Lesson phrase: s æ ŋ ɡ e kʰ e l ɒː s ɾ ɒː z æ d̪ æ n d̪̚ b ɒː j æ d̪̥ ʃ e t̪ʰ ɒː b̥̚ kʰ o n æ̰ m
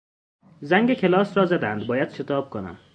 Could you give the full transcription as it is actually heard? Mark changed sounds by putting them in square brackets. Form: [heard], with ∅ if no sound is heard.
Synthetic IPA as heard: [z] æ ŋ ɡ e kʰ e l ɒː s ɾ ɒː z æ d̪ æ n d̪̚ b ɒː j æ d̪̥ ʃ e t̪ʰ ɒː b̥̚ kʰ o n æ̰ m